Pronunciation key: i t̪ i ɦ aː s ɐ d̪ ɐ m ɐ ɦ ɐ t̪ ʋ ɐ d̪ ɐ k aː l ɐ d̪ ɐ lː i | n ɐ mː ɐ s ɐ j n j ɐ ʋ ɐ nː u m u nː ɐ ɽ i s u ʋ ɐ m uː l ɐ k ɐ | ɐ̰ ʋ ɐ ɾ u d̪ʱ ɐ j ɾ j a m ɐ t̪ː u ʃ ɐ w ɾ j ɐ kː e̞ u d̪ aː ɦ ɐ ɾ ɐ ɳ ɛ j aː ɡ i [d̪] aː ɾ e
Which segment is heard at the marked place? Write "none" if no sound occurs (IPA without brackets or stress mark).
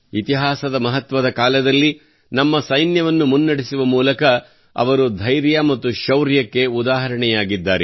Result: d̪ː